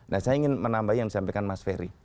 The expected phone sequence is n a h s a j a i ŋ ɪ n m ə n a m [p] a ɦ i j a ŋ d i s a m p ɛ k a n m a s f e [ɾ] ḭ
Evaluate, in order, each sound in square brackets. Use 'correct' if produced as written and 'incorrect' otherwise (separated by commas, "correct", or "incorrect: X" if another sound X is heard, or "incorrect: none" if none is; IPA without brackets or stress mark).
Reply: incorrect: b, correct